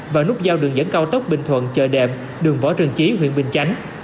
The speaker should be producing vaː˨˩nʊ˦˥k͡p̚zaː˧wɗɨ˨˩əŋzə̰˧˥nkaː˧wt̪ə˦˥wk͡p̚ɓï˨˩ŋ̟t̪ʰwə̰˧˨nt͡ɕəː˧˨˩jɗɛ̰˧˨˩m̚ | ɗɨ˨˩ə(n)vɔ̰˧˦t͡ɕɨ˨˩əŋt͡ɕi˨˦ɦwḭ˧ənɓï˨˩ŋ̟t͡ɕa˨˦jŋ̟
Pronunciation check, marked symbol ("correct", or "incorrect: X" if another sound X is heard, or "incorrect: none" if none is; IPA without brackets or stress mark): incorrect: ŋ